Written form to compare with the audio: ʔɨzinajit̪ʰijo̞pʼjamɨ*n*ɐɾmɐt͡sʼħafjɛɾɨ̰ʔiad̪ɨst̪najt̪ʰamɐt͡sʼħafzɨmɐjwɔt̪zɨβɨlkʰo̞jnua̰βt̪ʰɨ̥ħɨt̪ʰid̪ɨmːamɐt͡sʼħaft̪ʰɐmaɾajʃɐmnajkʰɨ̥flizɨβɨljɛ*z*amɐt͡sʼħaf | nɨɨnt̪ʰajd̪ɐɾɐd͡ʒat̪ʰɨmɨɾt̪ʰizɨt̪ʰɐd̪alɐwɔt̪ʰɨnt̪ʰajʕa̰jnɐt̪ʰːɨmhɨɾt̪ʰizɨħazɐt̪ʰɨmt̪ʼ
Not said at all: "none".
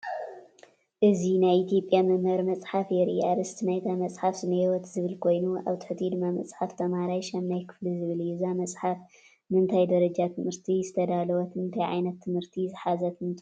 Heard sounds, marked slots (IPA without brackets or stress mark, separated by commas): m, z